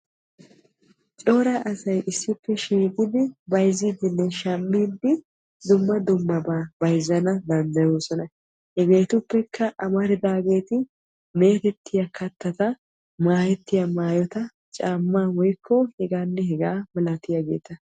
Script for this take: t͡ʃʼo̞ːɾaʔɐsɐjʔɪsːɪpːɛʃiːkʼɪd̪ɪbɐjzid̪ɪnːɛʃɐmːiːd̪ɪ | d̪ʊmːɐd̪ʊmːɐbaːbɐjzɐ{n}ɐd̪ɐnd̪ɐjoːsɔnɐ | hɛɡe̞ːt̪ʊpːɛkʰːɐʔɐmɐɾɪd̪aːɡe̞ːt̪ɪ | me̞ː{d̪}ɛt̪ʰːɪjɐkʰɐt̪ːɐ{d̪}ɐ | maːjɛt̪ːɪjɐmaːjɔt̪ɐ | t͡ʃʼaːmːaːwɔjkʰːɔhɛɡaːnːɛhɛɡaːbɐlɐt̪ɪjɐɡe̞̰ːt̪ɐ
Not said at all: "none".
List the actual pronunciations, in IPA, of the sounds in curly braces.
n, t̪, t̪

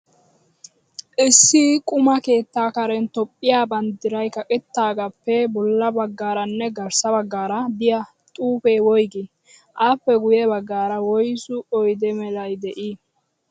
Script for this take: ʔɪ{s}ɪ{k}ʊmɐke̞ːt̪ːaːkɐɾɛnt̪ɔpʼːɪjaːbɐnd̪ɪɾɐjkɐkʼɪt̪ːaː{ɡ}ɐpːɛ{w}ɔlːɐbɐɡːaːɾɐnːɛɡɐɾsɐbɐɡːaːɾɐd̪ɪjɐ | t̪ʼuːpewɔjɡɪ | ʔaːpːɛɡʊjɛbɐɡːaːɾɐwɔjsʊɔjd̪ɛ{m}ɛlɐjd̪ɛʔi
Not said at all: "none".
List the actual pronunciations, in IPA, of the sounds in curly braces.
sː, kʼ, ɡ, b, m

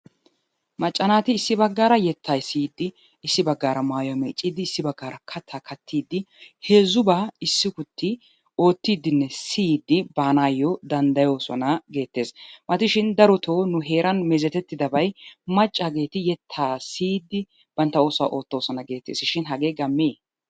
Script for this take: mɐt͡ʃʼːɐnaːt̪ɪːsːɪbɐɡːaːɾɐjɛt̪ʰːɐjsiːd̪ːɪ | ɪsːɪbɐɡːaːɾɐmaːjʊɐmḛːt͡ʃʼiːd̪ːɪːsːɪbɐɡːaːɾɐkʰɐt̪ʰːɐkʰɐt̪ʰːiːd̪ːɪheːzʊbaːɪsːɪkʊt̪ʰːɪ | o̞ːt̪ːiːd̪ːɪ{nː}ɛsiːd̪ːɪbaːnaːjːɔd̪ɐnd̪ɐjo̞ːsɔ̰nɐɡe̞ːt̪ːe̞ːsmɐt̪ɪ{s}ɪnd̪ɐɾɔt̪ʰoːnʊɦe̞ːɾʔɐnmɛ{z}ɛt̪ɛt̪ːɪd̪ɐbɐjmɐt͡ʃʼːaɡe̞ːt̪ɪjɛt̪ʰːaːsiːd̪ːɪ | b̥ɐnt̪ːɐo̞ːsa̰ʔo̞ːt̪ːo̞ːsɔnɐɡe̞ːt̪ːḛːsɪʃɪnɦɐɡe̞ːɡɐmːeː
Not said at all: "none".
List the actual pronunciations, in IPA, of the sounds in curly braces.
nː, ʃ, z

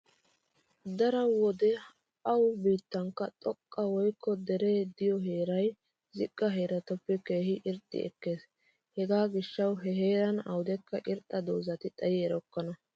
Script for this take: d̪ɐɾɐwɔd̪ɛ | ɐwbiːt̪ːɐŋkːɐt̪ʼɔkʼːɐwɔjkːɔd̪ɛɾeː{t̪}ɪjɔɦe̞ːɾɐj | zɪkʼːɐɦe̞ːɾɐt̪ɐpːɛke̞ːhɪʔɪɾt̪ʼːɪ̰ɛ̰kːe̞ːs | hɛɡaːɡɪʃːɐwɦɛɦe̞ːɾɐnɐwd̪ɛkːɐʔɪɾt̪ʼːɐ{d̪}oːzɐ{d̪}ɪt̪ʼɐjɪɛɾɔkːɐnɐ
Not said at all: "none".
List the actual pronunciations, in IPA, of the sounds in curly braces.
d̪, d̪, t̪

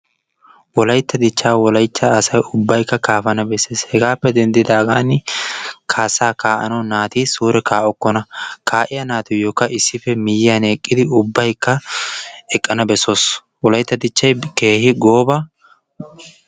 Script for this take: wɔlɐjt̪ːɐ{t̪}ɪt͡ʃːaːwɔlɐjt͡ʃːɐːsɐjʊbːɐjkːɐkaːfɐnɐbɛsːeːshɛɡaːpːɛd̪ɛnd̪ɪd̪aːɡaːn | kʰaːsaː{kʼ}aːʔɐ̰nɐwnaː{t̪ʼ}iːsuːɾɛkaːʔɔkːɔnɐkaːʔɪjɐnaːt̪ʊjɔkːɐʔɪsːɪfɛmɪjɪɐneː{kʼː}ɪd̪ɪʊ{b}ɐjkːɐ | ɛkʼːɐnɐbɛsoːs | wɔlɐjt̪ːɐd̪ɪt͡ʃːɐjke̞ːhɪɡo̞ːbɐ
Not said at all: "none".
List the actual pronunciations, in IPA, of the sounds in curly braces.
d̪, k, t̪, kʼː, bː

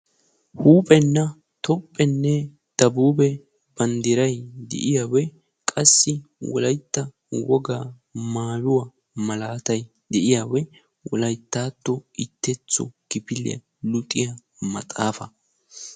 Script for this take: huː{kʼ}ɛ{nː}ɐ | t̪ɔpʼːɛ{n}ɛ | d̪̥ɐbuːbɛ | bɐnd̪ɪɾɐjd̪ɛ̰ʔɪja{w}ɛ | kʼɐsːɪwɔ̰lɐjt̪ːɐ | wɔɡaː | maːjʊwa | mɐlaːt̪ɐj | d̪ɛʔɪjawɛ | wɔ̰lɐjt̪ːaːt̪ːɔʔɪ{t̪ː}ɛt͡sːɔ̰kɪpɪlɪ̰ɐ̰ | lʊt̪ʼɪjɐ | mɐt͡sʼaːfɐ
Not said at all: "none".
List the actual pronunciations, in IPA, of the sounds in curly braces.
pʼ, nː, nː, w, t̪ː

